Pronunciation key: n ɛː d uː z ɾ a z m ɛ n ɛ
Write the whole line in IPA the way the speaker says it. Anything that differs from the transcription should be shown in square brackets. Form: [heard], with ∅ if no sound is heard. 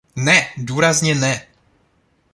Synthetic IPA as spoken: n [ɛ] d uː [∅] ɾ a z [ɲ] ɛ n ɛ